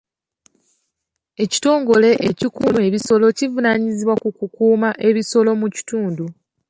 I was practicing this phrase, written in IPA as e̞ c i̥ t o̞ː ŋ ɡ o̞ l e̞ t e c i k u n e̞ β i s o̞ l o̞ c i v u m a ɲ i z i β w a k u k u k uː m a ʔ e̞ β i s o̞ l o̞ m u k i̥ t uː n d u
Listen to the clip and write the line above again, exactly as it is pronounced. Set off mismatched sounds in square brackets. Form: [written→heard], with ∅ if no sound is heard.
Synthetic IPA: e̞ c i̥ t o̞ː ŋ ɡ o̞ l e̞ [t→ʔ] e c i k u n e̞ β i s o̞ l o̞ c i v u [m→n] a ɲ i z i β w a k u k u k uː m a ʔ e̞ β i s o̞ l o̞ m u [k→c] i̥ t uː n d u